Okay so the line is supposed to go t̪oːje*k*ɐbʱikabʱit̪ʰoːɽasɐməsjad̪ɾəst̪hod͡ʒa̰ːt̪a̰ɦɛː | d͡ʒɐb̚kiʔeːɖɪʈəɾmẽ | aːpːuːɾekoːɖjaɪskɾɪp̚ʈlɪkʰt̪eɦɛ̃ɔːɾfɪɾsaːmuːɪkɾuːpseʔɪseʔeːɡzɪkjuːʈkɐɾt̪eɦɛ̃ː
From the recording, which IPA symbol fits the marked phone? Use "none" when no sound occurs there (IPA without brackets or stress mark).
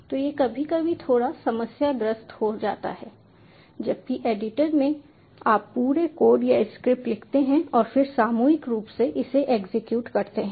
k